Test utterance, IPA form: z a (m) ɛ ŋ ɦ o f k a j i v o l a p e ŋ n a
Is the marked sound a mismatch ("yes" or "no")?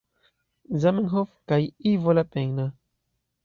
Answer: no